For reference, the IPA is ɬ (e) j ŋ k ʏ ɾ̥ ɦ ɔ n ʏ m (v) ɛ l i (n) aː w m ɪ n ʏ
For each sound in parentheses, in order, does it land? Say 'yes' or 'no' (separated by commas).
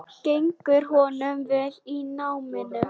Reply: yes, yes, yes